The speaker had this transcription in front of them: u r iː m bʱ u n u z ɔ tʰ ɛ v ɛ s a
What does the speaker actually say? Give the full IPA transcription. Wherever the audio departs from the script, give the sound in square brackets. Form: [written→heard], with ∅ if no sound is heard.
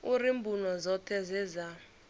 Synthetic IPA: u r [iː→i] m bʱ u n [u→ɔ] z ɔ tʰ ɛ [v→z] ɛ [s→z] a